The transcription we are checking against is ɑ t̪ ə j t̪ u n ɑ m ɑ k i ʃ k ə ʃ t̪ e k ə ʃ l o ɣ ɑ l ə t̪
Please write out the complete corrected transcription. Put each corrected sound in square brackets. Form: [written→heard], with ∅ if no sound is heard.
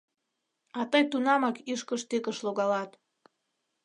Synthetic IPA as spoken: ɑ t̪ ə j t̪ u n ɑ m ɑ k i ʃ k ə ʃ t̪ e k ə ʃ l o ɣ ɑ l [ə→ɑ] t̪

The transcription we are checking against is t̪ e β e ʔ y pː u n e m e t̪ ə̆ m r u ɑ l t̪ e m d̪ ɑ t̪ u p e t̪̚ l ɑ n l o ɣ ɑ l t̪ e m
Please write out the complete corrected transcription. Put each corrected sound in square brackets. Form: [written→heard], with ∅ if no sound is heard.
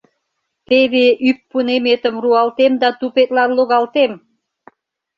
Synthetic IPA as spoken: t̪ e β e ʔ y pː u n e m e t̪ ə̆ m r u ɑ l t̪ e m d̪ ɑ t̪ u p e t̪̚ l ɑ n l o ɣ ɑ l t̪ e m

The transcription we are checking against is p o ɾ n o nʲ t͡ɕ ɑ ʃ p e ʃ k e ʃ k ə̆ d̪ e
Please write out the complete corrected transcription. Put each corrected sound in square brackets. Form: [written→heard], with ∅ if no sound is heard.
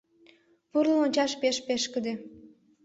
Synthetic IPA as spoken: p [o→u] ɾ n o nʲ t͡ɕ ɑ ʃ p e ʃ [k→p] e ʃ k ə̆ d̪ e

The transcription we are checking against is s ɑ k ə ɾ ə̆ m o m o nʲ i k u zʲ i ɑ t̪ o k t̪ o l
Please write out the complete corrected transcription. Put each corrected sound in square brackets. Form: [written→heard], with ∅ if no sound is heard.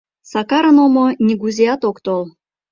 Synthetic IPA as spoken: s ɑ k [ə→ɑ] ɾ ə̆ [m→n] o m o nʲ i [k→ɡ] u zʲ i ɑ t̪ o k t̪ o l

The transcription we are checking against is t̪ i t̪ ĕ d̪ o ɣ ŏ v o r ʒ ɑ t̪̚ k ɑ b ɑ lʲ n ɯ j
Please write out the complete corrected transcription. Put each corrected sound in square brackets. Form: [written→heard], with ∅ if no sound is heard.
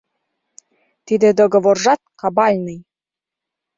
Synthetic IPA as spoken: t̪ i [t̪→d̪] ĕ d̪ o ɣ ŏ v o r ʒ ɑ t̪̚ k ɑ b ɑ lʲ n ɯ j

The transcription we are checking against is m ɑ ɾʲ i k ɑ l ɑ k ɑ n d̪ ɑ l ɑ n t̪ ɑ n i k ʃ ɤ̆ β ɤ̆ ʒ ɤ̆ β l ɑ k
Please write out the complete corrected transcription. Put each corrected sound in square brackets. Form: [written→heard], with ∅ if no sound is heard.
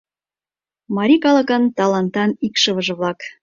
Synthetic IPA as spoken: m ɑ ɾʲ i k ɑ l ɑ k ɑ n [d̪→t̪] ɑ l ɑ n t̪ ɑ n i k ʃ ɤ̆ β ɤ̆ ʒ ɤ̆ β l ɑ k

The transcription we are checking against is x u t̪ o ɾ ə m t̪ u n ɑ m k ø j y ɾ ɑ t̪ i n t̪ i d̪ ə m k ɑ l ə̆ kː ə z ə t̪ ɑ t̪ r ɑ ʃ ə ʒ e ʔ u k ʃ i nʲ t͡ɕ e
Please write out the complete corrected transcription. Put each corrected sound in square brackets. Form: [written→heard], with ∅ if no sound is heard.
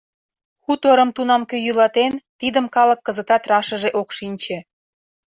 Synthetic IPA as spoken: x u t̪ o ɾ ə m t̪ u n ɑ m k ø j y [ɾ→l] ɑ t̪ [i→e] n t̪ i d̪ ə m k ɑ l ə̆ kː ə z ə t̪ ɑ t̪ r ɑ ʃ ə ʒ e ʔ [u→o] k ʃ i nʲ t͡ɕ e

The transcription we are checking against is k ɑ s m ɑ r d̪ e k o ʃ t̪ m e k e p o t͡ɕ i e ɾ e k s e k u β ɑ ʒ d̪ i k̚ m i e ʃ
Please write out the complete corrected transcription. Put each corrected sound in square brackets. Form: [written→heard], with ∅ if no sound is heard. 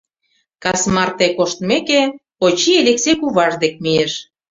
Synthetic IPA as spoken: k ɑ s m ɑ r [d̪→t̪] e k o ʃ t̪ m e k e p o t͡ɕ i e [ɾ→l] e k s e k u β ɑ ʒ d̪ [i→e] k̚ m i e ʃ

